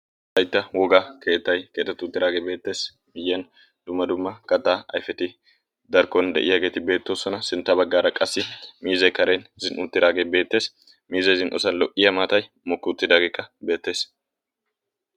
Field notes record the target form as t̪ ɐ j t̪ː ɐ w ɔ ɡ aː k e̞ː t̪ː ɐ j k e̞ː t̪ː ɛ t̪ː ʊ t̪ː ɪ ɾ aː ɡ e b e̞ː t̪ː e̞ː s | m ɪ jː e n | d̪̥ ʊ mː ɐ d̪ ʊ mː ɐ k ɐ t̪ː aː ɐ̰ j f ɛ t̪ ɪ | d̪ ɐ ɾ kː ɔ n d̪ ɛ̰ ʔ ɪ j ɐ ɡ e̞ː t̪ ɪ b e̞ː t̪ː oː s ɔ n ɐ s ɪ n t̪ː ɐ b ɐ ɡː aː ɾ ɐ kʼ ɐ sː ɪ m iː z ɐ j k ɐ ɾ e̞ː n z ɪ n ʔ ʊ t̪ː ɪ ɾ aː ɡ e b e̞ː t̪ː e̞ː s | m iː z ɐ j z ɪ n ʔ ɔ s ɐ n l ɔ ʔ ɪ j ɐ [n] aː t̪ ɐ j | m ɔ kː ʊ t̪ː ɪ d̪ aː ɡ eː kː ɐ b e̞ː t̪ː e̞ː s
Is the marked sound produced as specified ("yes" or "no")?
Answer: no